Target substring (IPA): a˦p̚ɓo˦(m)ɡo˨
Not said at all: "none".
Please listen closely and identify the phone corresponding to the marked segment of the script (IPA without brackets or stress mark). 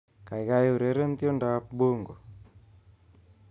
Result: ŋ